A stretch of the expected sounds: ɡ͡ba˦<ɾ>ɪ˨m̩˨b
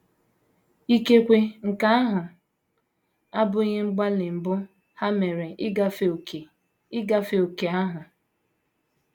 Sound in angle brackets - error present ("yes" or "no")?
yes